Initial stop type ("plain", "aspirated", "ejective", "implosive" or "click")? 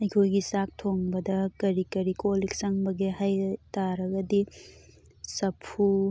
aspirated